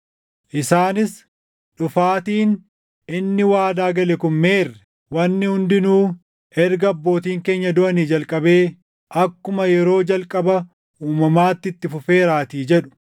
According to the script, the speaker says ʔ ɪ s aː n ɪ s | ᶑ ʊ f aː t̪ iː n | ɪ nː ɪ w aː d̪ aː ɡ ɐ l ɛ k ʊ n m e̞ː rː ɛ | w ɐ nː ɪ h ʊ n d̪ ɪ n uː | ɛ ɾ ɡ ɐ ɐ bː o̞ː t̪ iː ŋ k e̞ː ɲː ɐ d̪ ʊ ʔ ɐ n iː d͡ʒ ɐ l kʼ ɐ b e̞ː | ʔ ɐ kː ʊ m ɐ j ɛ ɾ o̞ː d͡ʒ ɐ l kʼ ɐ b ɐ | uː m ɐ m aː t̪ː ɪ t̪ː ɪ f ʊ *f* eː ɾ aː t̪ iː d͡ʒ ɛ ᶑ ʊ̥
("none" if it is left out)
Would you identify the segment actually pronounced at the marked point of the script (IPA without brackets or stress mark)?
f